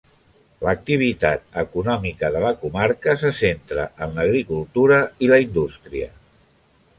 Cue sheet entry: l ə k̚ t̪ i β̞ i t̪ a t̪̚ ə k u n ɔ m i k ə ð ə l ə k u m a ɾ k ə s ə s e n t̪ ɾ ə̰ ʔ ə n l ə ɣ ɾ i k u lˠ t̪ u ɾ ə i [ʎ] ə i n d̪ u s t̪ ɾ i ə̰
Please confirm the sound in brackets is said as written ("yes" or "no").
no